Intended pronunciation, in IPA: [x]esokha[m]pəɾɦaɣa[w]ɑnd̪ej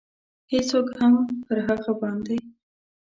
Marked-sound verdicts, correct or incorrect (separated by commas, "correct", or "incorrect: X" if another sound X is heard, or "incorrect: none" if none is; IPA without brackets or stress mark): incorrect: h, correct, incorrect: b